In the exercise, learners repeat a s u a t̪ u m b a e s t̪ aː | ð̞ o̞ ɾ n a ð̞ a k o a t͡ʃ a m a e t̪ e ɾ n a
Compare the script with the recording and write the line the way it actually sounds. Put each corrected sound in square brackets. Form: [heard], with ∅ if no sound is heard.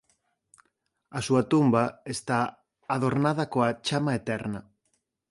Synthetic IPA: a s u a t̪ u m b a e s t̪ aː | ð̞ o̞ ɾ n a ð̞ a k o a t͡ʃ a m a e t̪ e ɾ n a

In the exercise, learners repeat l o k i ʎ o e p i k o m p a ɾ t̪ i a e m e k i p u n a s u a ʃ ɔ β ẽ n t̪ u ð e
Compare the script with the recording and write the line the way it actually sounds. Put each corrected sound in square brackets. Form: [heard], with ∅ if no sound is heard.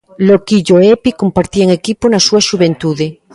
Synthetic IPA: l o k i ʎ o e p i k o m p a ɾ t̪ i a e [ŋ] e k i p [o] n a s u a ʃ [u] β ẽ n t̪ u ð e

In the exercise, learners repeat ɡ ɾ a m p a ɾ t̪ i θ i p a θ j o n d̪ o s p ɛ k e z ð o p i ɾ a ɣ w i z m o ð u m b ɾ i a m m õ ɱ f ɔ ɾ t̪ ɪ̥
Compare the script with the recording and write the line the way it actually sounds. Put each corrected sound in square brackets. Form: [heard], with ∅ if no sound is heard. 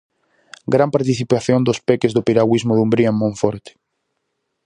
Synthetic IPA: ɡ ɾ a m p a ɾ t̪ i θ i p a θ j o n d̪ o s p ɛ k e z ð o p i ɾ a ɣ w i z m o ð u m b ɾ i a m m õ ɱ f ɔ ɾ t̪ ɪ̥

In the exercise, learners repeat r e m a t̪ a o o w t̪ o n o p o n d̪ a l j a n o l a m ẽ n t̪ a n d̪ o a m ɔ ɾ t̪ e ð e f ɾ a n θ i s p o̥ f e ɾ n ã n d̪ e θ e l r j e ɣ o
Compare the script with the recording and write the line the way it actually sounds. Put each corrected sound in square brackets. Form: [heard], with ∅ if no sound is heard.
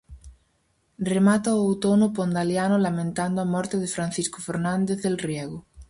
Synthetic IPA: r e m a t̪ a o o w t̪ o n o p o n d̪ a l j a n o l a m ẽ n t̪ a n d̪ o a m ɔ ɾ t̪ e ð e f ɾ a n θ i s [k] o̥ f e ɾ n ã n d̪ e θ e l r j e ɣ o

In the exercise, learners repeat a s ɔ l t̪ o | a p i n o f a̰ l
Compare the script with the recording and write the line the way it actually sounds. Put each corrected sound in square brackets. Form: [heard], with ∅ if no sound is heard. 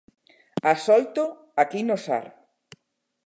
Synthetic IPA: a s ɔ l t̪ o | a [k] i n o [s] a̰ [ɾ]

